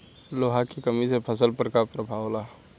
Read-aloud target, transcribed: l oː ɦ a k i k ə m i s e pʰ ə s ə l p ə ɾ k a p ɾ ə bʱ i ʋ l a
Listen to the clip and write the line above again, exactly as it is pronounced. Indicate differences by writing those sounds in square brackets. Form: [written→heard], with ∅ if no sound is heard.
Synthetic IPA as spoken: l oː ɦ a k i k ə m i s e pʰ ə s ə l p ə ɾ k a p ɾ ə bʱ [i→a] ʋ l a